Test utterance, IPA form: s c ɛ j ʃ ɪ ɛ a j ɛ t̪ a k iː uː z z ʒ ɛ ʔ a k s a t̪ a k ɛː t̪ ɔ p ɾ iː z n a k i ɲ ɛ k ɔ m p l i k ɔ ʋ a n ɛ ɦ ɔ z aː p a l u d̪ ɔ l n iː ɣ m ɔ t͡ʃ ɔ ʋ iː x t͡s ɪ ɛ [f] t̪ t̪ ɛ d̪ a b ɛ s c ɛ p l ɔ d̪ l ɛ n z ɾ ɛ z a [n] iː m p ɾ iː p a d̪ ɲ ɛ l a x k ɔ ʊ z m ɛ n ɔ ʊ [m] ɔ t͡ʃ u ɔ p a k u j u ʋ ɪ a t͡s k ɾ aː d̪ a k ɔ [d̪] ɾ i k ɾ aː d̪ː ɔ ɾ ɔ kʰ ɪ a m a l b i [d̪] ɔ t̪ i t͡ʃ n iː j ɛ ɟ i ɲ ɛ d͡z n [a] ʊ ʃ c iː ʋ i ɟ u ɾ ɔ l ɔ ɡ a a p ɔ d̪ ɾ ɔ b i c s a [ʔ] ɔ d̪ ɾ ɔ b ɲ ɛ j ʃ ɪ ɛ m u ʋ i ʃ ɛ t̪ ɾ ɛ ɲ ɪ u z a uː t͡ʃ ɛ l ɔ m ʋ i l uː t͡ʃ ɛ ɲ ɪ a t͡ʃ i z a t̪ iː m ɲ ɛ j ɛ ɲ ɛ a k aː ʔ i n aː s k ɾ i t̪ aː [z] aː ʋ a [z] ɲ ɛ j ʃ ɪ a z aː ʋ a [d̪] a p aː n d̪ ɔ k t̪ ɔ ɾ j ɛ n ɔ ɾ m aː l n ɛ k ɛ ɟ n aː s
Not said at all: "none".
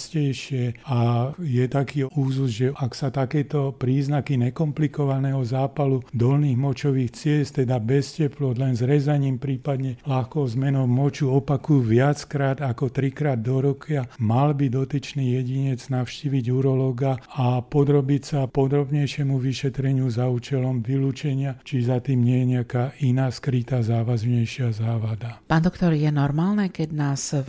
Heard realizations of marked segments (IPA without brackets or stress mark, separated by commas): s, ɲ, m, t̪, d̪, a, p, z, z, d̪